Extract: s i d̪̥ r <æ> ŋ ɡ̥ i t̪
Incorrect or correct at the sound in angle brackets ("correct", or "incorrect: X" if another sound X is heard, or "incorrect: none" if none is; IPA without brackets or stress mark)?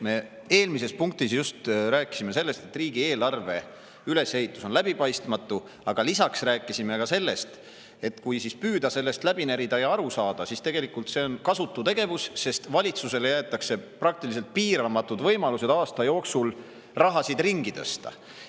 incorrect: i